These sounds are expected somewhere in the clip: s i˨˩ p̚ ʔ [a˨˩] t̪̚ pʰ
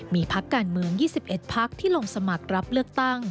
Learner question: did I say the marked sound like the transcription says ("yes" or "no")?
no